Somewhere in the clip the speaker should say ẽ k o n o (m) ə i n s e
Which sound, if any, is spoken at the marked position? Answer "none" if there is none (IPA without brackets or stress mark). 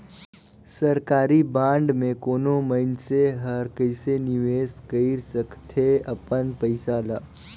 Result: m